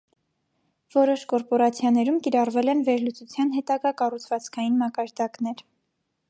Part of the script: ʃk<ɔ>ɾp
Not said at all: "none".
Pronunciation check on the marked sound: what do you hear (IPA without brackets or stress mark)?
ɔ